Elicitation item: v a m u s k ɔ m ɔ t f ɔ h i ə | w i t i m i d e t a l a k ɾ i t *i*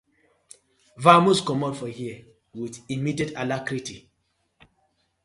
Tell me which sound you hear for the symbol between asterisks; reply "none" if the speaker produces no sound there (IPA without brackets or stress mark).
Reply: i